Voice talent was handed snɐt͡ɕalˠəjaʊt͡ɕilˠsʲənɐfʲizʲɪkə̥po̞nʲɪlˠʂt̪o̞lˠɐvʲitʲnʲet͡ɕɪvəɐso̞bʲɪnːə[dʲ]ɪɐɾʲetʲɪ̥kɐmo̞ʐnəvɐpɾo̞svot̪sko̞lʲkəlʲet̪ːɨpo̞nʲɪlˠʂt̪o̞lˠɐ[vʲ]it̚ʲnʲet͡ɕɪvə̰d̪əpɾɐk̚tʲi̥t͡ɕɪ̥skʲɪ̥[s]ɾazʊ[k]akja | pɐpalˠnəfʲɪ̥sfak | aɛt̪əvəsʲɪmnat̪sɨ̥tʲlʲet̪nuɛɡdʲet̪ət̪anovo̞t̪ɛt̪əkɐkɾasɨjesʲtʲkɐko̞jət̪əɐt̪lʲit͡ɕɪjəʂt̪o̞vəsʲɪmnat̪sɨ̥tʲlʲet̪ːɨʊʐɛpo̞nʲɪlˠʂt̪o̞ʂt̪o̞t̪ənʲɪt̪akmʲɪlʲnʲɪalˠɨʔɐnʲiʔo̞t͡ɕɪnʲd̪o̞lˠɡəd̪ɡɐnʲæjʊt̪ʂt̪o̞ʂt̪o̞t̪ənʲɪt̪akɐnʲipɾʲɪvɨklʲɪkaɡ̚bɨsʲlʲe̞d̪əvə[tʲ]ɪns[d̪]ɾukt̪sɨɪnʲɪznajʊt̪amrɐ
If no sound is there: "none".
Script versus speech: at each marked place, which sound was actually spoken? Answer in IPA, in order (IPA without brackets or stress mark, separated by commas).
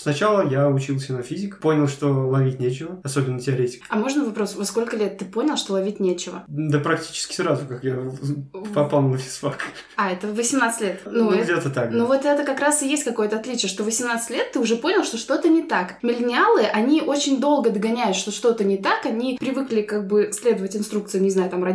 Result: tʲ, vʲ, s, k, tʲ, t̪